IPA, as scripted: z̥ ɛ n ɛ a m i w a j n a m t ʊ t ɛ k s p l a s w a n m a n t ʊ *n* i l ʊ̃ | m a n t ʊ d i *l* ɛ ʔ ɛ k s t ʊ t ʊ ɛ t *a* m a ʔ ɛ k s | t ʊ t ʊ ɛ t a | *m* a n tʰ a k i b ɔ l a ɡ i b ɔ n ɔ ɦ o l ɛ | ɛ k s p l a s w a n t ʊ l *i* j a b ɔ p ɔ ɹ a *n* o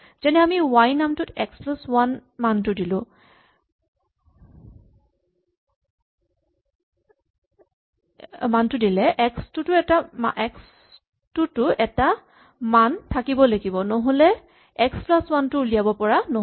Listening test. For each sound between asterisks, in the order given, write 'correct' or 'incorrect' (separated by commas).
incorrect, correct, correct, correct, correct, correct